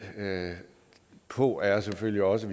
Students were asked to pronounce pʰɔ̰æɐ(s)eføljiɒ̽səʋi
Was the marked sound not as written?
no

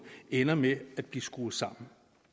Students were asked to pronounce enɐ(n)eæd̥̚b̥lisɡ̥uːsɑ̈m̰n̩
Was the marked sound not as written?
yes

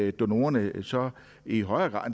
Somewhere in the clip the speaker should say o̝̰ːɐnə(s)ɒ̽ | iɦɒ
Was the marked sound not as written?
no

